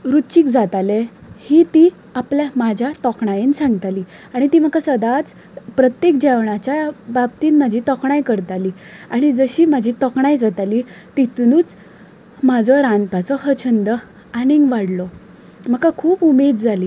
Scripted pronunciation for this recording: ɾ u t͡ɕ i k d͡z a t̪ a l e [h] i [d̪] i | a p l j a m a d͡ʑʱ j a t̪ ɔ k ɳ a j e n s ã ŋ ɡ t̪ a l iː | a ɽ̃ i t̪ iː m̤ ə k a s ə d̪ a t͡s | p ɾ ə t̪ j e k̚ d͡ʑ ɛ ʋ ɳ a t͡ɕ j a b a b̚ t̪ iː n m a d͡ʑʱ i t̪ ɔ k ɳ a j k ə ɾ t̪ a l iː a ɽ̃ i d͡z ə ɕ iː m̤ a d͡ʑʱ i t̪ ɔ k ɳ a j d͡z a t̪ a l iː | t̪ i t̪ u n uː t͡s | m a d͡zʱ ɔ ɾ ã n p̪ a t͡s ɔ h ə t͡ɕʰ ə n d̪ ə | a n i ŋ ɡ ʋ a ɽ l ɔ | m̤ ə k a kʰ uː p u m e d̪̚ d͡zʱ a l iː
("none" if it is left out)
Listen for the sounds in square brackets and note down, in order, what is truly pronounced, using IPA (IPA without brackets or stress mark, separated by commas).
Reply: h, t̪